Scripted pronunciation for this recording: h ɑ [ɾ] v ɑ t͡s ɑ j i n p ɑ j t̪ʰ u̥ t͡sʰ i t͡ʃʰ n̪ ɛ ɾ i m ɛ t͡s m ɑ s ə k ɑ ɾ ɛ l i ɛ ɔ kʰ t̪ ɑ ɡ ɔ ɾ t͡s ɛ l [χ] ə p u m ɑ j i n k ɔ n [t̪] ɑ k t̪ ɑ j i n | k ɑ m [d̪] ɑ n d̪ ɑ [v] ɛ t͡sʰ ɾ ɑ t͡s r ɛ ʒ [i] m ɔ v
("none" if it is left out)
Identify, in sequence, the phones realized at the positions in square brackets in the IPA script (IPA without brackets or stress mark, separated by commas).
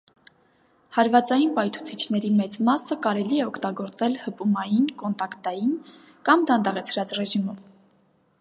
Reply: ɾ, h, t̪, d̪, ʁ, i